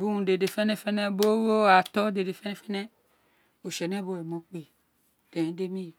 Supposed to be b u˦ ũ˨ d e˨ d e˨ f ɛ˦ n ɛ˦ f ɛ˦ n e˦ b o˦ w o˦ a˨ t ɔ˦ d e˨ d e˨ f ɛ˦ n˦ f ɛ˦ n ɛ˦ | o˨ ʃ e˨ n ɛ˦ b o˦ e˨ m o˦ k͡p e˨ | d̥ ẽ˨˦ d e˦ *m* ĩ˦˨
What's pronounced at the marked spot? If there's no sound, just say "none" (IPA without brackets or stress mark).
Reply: m